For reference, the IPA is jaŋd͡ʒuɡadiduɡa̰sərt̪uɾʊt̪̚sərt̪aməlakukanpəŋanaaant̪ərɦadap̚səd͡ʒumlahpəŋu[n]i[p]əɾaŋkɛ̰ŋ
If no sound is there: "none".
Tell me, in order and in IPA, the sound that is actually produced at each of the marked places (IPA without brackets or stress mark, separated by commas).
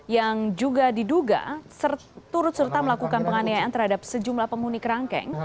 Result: n, k